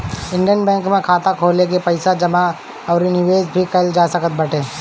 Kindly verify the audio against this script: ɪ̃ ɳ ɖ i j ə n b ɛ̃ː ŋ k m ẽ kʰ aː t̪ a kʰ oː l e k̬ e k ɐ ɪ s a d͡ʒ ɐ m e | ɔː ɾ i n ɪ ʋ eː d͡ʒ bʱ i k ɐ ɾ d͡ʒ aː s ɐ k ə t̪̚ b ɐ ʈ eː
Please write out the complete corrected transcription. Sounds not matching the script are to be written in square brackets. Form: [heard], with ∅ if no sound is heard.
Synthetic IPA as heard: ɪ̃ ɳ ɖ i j ə n b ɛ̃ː ŋ k m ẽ kʰ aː t̪ a kʰ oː l e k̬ e [p] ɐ ɪ s a d͡ʒ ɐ m [a] | ɔː ɾ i n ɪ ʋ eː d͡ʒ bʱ i k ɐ [l] d͡ʒ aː s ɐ k ə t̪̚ b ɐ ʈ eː